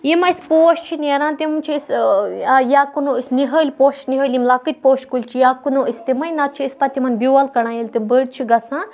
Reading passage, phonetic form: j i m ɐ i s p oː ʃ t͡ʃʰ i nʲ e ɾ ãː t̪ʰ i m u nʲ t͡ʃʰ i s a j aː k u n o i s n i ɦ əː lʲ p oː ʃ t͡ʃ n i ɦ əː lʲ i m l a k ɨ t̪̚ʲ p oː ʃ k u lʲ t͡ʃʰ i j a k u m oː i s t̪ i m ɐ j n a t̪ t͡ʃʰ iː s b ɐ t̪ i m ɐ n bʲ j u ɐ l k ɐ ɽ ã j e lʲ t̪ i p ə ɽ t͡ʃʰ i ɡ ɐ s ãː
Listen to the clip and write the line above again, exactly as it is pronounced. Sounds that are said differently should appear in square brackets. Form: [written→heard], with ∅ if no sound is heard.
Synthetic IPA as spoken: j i m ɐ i s p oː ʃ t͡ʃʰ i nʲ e ɾ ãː [t̪ʰ→t̪] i m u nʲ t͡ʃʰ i s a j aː k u n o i s n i ɦ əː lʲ p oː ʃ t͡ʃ n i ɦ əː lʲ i m l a k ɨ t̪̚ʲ p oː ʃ k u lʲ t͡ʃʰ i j a k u [m→n] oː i s t̪ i m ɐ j n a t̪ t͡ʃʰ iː s [b→p] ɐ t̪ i m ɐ n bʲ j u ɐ l k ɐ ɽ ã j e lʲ t̪ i [p→b] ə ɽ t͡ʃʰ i ɡ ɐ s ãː